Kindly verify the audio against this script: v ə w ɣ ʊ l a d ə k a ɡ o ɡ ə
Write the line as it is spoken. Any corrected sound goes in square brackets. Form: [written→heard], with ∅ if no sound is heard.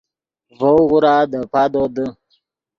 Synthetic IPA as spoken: v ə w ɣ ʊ [l→ɾ] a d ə [k→p] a [ɡ→d] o [ɡ→d] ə